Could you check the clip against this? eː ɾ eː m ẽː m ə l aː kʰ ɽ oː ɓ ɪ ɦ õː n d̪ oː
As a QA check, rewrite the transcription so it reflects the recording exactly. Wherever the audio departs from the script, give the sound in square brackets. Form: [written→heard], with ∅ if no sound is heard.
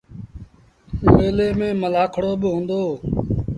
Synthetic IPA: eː [ɾ→l] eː m ẽː m ə l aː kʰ ɽ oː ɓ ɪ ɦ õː n d̪ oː